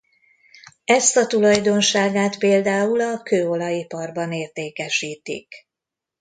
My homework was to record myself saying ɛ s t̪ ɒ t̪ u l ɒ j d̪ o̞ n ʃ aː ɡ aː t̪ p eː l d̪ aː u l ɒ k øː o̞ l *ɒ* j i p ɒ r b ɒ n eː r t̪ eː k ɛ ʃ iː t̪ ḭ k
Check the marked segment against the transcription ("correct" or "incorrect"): correct